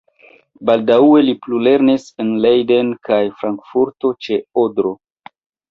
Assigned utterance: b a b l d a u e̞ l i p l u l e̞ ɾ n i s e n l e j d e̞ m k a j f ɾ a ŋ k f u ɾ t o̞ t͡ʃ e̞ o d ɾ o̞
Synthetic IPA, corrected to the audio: b a l d a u e̞ l i p l u l e̞ ɾ n i s e n l e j d e̞ n k a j f ɾ a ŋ k f u ɾ t o̞ t͡ʃ e̞ o d ɾ o̞